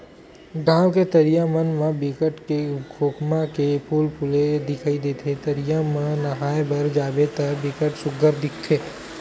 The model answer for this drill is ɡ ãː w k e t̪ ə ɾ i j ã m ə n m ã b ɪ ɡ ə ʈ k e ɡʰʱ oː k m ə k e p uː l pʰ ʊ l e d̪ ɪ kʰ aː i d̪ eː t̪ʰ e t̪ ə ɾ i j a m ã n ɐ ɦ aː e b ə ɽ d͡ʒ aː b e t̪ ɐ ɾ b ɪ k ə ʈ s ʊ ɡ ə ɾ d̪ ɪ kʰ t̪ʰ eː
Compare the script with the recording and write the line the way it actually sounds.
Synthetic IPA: ɡ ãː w k e t̪ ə ɾ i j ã m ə n m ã b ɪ k ə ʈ k e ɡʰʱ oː k m a k e p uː l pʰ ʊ l e d̪ ɪ kʰ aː i d̪ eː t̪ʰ e t̪ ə ɾ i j a m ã n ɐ ɦ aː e b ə ɾ d͡ʒ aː b e t̪ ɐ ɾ b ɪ k ə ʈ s ʊ ɡ ə ɾ d̪ ɪ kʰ t̪ʰ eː

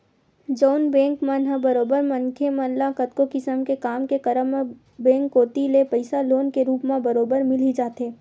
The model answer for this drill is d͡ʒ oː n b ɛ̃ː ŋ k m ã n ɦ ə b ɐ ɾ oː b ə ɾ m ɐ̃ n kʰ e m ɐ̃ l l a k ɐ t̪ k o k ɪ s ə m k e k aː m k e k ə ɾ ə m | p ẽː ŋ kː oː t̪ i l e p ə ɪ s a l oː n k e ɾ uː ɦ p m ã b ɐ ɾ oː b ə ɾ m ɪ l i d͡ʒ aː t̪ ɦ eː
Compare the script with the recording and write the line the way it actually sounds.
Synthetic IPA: d͡ʒ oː n b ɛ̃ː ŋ k m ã n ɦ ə b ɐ ɾ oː b ə ɾ m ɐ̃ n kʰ e m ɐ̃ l l a k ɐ t̪ k o k ɪ s ə m k e k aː m k e k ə ɾ ə m | b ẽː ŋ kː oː t̪ i l e p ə ɪ s a l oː n k e ɾ uː p m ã b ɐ ɾ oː b ə ɾ m ɪ l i d͡ʒ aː t̪ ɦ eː

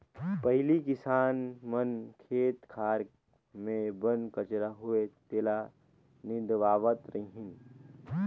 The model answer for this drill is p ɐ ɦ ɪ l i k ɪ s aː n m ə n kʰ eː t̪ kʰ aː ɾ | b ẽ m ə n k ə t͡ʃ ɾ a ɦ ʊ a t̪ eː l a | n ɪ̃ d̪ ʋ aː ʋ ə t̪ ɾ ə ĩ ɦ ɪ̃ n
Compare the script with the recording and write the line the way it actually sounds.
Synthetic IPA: p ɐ ɦ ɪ l i k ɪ s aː n m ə n kʰ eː t̪ kʰ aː ɾ | m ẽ b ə n k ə t͡ʃ ɾ a ɦ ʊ e t̪ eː l a | n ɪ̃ d̪ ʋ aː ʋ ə t̪ ɾ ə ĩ ɦ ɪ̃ n

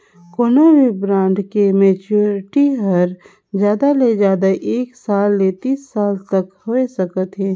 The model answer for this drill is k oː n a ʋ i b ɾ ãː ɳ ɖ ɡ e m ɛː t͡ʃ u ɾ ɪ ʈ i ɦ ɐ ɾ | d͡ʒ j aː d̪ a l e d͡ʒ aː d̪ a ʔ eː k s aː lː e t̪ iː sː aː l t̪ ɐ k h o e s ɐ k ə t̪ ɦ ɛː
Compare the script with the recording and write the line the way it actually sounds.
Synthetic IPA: k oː n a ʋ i b ɾ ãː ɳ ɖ k e m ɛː t͡ʃ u ɾ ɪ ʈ i ɦ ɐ ɾ | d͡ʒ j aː d̪ a l e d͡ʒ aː d̪ a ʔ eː k s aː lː e t̪ iː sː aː l t̪ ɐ k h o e s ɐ k ə t̪ ɦ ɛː

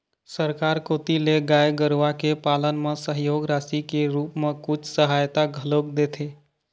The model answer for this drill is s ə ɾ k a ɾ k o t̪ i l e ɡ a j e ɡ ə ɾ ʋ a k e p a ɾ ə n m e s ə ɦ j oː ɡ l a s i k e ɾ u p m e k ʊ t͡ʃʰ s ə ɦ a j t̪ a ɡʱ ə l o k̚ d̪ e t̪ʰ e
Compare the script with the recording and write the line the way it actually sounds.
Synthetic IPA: s ə ɾ k a ɾ k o t̪ i l e ɡ a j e ɡ ə ɾ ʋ a k e p a l ə n m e s ə ɦ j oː ɡ ɾ a s i k e ɾ u p m e k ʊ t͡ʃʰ s ə ɦ a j t̪ a ɡʱ ə l o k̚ d̪ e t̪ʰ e

